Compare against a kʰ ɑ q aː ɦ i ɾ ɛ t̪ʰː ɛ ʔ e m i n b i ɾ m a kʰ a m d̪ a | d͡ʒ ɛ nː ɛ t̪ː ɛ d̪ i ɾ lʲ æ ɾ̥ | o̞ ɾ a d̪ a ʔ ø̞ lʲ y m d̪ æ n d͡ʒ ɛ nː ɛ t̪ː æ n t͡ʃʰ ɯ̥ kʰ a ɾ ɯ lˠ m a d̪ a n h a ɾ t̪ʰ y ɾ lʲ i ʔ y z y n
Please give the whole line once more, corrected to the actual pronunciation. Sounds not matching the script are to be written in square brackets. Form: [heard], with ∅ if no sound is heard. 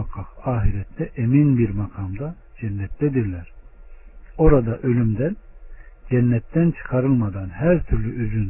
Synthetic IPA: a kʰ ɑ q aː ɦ i ɾ ɛ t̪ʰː ɛ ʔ e m i n b i ɾ m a kʰ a m d̪ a | d͡ʒ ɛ nː ɛ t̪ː ɛ d̪ i ɾ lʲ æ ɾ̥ | o̞ ɾ a d̪ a ʔ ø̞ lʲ y m d̪ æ n d͡ʒ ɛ nː ɛ t̪ː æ n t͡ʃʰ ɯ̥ kʰ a ɾ ɯ lˠ m a d̪ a n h [æ] ɾ t̪ʰ y ɾ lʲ [y] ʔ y z y n